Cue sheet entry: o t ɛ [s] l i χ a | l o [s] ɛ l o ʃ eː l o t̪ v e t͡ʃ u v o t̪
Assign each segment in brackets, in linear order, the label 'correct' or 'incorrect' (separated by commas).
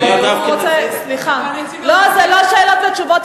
correct, incorrect